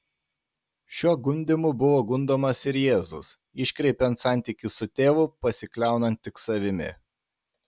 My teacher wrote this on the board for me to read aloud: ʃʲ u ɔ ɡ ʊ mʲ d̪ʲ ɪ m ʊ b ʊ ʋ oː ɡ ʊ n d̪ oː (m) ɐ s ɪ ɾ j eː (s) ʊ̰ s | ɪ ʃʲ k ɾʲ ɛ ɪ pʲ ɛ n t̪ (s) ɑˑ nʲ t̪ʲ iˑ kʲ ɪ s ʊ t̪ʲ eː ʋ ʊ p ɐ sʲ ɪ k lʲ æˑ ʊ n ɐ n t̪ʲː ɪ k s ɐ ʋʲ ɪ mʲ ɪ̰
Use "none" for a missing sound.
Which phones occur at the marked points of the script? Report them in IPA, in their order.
m, z, s

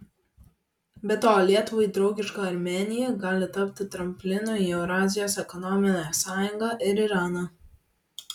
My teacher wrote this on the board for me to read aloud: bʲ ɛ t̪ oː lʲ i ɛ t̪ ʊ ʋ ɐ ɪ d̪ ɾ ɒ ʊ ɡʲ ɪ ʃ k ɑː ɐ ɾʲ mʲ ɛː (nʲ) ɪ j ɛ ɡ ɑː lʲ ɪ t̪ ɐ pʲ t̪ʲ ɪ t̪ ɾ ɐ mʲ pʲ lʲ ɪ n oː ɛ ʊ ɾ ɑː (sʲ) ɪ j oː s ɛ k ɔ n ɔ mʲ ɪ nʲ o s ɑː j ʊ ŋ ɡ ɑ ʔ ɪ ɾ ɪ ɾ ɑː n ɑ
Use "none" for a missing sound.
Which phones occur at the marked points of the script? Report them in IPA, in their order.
nʲ, zʲ

